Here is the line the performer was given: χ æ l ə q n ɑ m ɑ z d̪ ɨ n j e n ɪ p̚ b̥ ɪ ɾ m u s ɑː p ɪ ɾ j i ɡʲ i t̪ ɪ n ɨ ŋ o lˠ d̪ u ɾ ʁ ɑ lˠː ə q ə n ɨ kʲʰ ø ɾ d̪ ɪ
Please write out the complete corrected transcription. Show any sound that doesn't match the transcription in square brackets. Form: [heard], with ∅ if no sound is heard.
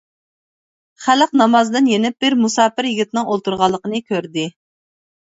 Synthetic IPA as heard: χ æ l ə q n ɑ m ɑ z d̪ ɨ n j e n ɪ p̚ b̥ ɪ ɾ m u s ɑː p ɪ ɾ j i ɡʲ i t̪ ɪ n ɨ ŋ o lˠ [t̪] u ɾ ʁ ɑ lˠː ə q ə n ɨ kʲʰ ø ɾ d̪ ɪ